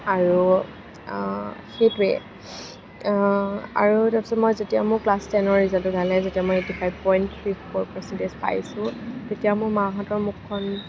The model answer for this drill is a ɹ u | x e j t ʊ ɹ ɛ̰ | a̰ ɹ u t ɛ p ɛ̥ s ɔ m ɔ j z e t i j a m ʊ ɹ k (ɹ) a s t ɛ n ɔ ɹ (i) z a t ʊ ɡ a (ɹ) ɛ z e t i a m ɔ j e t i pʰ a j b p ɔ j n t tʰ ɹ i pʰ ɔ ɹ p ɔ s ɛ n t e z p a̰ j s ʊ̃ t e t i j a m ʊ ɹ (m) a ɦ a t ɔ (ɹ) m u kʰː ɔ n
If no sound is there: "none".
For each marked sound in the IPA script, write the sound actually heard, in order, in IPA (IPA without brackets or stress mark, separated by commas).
l, i, l, m, ɹ